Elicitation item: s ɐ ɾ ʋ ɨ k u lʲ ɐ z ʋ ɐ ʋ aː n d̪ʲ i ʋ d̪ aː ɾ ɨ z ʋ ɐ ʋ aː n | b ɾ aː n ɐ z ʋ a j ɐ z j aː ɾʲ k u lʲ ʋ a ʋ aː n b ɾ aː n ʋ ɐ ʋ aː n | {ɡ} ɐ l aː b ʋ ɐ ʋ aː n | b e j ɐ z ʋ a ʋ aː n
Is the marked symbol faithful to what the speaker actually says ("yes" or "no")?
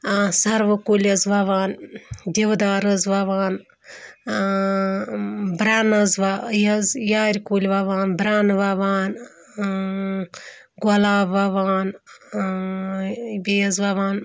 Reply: yes